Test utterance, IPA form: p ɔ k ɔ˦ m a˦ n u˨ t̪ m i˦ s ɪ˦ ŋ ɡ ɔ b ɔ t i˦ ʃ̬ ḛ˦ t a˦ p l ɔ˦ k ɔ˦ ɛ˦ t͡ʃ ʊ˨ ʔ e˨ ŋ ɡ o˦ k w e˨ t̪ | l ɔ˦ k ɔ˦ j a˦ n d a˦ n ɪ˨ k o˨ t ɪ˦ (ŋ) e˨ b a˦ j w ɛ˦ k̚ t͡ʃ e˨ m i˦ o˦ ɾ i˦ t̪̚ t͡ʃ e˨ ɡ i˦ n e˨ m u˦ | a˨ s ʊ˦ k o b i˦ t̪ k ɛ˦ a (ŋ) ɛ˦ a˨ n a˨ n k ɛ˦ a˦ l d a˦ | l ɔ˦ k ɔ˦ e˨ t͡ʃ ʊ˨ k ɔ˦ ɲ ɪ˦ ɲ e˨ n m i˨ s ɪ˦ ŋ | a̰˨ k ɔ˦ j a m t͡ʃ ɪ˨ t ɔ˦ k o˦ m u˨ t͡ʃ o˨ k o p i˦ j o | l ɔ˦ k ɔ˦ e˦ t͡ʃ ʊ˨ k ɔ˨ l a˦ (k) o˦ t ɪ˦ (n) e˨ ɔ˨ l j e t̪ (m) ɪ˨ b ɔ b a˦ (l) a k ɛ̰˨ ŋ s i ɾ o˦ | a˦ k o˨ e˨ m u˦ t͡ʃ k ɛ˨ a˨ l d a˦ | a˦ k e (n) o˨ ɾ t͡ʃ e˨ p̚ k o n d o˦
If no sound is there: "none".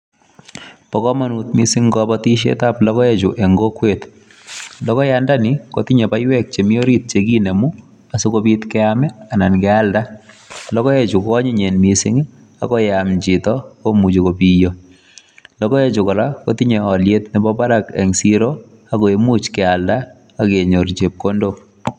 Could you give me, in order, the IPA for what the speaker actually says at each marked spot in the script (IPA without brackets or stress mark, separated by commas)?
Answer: ɲ, m, k, ɲ, n, ɾ, ɲ